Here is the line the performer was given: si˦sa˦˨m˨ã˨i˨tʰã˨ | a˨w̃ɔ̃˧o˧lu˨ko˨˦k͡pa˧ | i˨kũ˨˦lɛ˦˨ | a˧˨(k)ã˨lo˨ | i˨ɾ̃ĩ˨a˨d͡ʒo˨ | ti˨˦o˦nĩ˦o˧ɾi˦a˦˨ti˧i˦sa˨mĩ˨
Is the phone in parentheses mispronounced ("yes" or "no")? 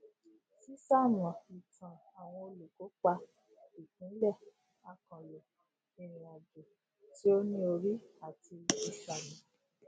no